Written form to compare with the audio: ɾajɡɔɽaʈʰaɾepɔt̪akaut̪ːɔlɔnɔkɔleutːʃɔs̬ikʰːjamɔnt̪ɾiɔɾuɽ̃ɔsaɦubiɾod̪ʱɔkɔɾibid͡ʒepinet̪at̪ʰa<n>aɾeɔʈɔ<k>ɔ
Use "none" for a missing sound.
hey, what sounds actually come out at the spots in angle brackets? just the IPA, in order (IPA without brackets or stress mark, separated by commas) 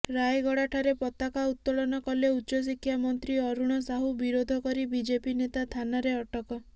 n, k